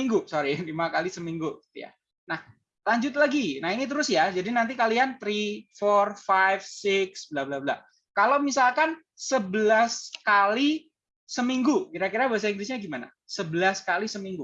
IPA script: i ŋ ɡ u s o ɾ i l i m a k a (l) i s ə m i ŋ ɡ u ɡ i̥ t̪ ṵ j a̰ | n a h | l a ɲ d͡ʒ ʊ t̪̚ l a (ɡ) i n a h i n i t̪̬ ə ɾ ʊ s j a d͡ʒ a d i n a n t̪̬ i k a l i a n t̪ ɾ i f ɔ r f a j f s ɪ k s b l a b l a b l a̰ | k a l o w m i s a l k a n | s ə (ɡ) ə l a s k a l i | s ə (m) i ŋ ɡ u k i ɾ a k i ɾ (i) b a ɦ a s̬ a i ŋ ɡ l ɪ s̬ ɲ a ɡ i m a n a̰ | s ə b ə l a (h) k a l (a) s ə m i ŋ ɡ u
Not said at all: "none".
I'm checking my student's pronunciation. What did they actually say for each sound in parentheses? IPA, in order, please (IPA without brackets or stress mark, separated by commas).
l, ɡ, b, m, a, s, i